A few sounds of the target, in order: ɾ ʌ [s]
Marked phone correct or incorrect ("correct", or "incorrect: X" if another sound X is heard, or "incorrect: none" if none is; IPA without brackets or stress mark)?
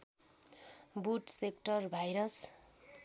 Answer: correct